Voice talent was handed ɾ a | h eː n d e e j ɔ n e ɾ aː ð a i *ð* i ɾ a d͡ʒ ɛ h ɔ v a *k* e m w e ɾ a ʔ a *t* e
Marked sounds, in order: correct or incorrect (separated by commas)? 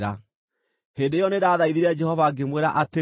correct, incorrect, correct